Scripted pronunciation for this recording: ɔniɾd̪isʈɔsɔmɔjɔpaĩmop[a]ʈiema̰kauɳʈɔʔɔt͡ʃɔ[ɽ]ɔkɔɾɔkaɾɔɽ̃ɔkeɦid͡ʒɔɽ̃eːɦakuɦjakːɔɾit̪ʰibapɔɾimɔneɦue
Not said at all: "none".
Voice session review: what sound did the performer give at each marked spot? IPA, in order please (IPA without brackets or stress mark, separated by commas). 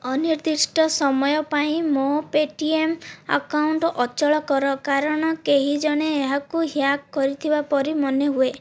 e, ɭ